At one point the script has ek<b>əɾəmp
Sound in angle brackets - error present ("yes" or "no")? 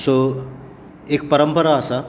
yes